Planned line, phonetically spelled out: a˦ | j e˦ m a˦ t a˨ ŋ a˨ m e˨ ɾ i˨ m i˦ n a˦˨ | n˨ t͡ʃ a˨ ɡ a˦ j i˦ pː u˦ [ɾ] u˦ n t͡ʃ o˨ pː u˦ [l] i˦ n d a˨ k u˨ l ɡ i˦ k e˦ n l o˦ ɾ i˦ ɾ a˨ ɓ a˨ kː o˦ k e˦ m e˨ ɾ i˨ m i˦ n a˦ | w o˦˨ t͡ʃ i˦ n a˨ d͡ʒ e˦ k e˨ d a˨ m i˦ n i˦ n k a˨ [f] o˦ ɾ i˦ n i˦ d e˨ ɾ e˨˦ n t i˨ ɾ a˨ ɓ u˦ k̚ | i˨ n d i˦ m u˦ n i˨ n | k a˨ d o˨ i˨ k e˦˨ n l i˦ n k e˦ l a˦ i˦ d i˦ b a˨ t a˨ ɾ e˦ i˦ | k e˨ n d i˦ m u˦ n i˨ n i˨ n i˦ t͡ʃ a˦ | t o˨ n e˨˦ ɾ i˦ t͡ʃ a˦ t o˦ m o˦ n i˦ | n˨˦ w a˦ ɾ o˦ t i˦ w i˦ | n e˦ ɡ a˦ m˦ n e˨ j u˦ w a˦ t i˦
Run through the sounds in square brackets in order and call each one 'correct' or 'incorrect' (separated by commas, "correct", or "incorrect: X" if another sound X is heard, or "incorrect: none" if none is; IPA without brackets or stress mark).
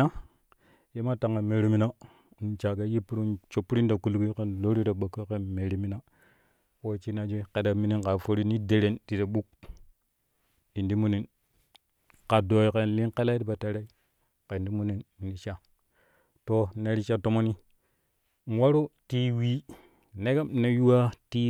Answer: correct, incorrect: ɾ, correct